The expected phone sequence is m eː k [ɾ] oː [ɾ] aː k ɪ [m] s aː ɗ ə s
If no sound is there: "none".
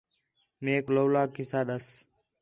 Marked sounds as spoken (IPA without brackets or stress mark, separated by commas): l, l, none